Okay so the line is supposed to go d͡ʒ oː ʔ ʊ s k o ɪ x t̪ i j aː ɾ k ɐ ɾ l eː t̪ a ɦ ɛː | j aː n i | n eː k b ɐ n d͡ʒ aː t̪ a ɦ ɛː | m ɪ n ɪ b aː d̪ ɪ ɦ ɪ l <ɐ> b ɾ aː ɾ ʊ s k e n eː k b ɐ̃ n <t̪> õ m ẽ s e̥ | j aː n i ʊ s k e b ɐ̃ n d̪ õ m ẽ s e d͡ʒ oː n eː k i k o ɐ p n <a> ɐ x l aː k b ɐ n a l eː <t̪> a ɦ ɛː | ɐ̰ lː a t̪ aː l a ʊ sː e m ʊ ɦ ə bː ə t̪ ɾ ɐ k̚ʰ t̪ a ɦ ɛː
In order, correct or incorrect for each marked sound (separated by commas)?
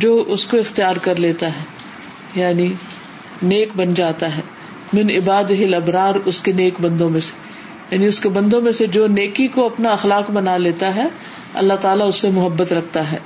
correct, incorrect, correct, correct